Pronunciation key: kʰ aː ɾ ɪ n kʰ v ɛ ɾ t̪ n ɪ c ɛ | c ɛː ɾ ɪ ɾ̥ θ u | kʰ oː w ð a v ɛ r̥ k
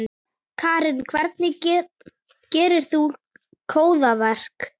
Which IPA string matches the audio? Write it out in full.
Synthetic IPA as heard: kʰ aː ɾ ɪ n kʰ v ɛ ɾ t̪ n ɪ c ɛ | c ɛː ɾ ɪ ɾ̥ θ u | kʰ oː w ð a v ɛ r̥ k